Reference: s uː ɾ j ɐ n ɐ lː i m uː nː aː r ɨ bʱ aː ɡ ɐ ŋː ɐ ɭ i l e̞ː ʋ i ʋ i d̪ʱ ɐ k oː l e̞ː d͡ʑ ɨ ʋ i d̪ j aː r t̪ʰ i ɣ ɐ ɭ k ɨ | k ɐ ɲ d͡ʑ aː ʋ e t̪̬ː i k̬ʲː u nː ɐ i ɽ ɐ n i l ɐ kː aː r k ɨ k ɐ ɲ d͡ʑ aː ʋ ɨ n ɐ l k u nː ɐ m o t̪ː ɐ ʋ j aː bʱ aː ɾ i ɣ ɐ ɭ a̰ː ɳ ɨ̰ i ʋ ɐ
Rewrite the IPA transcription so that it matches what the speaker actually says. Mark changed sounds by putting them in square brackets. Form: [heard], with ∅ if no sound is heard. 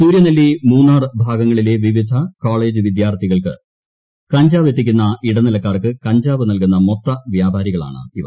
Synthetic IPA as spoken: s uː ɾ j ɐ n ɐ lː i m uː nː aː r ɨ bʱ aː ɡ ɐ ŋː ɐ ɭ i l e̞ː ʋ i ʋ i d̪ʱ ɐ k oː [ɭ] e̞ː d͡ʑ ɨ ʋ i d̪ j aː r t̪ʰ i ɣ ɐ ɭ k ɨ | k ɐ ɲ d͡ʑ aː ʋ e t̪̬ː i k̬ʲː u nː ɐ i ɽ ɐ n i l ɐ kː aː r k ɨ k ɐ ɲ d͡ʑ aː ʋ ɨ n ɐ l k u nː ɐ m o t̪ː ɐ ʋ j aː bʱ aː ɾ i ɣ ɐ ɭ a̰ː ɳ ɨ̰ i ʋ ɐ